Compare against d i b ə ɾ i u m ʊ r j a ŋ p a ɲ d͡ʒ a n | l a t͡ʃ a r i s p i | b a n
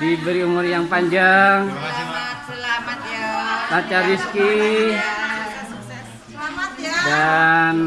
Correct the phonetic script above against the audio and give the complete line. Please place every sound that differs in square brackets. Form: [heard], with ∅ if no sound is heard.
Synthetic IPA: d i b ə ɾ i u m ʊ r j a ŋ p a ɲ d͡ʒ a [ŋ] | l a t͡ʃ a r i s [k] i | [d] a n